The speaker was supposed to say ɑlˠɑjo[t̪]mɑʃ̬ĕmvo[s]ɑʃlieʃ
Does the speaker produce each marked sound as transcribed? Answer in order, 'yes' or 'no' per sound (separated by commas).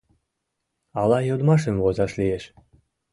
no, no